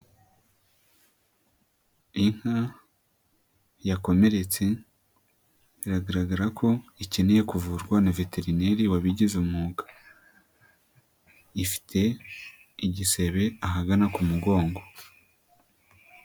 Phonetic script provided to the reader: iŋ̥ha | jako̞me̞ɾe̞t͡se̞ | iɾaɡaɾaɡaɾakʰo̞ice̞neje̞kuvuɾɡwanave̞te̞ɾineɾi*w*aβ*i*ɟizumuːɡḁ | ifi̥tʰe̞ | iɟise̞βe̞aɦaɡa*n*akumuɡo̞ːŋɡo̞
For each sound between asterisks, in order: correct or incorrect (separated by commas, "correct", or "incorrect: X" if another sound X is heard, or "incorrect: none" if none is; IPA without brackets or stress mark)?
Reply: correct, correct, correct